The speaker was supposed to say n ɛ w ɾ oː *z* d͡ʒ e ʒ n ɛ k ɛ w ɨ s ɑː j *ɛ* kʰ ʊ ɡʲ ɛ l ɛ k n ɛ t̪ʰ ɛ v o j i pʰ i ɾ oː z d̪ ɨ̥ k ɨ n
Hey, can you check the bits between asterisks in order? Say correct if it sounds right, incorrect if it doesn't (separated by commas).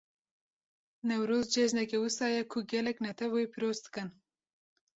correct, correct